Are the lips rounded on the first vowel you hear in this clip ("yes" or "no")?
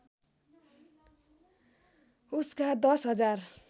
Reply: yes